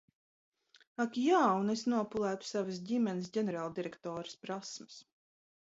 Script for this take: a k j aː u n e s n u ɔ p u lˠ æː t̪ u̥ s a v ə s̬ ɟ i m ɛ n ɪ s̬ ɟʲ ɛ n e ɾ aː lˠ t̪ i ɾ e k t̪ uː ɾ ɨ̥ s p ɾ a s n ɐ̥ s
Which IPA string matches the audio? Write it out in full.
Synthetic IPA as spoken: a k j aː u n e s n u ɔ p u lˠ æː t̪ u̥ s a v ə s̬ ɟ i m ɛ n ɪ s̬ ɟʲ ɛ n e ɾ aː lˠ d̪ i ɾ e k t̪ ɔː ɾ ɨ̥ s p ɾ a s m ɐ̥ s

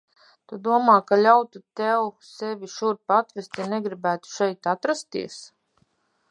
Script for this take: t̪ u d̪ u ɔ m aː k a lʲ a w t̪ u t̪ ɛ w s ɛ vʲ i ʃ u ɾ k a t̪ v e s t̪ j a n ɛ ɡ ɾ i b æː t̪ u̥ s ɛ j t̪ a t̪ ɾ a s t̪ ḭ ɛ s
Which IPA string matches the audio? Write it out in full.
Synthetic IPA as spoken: t̪ u d̪ u ɔ m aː k a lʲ a w t̪ u t̪ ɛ w s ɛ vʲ i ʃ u ɾ p a t̪ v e s t̪ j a n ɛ ɡ ɾ i b æː t̪ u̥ ʃ ɛ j t̪ a t̪ ɾ a s t̪ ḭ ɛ s

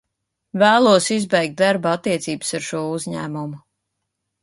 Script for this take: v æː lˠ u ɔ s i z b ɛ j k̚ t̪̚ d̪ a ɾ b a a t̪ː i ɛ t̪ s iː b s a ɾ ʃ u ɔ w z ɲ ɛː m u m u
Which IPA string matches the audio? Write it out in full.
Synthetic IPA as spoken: v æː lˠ u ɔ s i z b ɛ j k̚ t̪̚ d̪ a ɾ b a a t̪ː i ɛ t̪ s iː b s a ɾ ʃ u ɔ u z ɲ æː m u m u

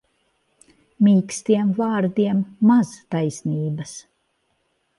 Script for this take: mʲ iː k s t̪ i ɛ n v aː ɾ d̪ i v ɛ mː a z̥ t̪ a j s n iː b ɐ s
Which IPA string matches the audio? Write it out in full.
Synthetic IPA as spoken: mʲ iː k s t̪ i ɛ m v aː ɾ d̪ i ɛ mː a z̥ t̪ a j s n iː b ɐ s

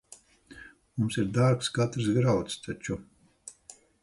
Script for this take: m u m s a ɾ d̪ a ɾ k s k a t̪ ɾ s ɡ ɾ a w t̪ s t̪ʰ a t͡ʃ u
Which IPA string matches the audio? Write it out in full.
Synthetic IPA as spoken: m u m s i ɾ d̪ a ɾ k s k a t̪ ɾ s ɡ ɾ a w t̪ s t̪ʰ a t͡ʃ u

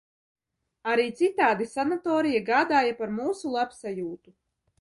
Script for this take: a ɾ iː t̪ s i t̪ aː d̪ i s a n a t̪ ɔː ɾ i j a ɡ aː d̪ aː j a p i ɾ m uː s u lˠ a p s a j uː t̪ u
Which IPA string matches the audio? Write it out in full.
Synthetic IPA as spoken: a ɾ iː t̪ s i t̪ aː d̪ i s a n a t̪ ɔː ɾ i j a ɡ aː d̪ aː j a p a ɾ m uː s u lˠ a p s a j uː t̪ u

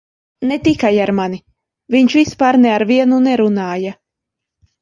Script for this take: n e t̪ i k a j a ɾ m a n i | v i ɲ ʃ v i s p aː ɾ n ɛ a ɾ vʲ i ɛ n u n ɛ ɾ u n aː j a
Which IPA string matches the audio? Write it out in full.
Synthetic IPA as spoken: n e t̪ i k a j a ɾ m a n i | v i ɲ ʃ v i s p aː ɾ n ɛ a ɾ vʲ i ɛ n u n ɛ ɾ u n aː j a

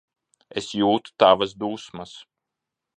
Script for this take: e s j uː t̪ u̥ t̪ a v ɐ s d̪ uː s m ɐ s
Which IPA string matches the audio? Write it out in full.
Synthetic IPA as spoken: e s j uː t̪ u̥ t̪ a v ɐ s d̪ uː s m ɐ s

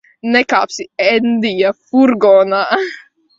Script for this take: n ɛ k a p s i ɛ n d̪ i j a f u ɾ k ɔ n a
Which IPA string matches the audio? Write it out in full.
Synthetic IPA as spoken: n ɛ k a p s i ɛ n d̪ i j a f u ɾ ɡ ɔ n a

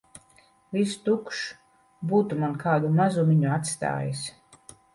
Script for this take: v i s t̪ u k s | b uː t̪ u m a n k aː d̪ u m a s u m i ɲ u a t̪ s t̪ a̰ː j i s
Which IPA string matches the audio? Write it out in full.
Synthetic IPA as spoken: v i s t̪ u k ʃ | b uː t̪ u m a n k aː d̪ u m a z u m i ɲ u a t̪ s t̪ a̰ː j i s

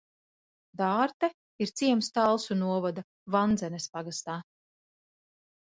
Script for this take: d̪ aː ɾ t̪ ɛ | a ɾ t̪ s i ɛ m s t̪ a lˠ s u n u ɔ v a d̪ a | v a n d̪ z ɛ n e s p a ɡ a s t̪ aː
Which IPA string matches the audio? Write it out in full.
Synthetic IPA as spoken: d̪ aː ɾ t̪ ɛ | i ɾ t̪ s i ɛ m s t̪ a lˠ s u n u ɔ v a d̪ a | v a n d̪ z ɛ n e s p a ɡ a s t̪ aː

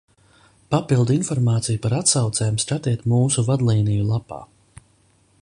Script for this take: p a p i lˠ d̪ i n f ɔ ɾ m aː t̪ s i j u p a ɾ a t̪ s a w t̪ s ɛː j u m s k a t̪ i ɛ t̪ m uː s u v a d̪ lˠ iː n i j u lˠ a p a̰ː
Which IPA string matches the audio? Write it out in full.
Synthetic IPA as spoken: p a p i lˠ d̪ i n f ɔ ɾ m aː t̪ s i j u p a ɾ a t̪ s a w t̪ s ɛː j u m s k a t̪ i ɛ t̪ m uː s u v a d̪ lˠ iː n i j u lˠ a p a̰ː

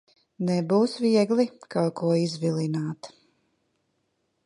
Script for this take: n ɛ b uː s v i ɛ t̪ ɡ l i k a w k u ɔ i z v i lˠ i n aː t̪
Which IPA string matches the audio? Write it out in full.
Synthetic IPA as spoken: n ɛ b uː s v i ɛ ɡ l i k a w k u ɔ i z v i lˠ i n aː t̪

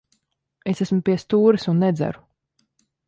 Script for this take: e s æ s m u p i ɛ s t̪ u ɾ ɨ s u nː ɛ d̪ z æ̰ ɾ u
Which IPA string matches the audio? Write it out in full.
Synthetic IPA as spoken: e s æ s m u p i ɛ s t̪ uː ɾ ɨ s u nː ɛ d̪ z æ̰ ɾ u

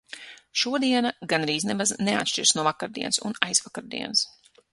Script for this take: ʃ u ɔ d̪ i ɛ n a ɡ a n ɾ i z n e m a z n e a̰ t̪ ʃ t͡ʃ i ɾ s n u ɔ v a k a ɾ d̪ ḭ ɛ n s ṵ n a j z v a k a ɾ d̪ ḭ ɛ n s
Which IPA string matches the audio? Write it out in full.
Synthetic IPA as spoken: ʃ u ɔ d̪ i ɛ n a ɡ a n ɾ iː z n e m a z n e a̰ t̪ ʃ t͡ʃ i ɾ s n u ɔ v a k a ɾ d̪ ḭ ɛ n s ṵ n a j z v a k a ɾ d̪ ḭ ɛ n s

